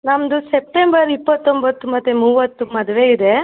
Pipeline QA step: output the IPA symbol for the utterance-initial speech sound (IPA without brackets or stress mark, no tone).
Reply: n